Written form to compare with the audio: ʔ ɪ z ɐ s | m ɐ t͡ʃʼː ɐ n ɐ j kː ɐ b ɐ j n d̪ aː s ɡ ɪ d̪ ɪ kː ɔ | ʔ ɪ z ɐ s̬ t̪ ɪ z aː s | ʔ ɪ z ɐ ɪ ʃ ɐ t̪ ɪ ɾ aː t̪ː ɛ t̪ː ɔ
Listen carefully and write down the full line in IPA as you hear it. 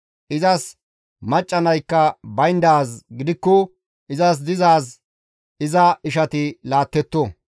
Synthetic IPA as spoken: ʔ ɪ z ɐ s | m ɐ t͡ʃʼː ɐ n ɐ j kː ɐ b ɐ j n d̪ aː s ɡ ɪ d̪ ɪ kː ɔ | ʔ ɪ z ɐ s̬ d̪ ɪ z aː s | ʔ ɪ z ɐ ɪ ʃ ɐ t̪ ɪ l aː t̪ː ɛ t̪ː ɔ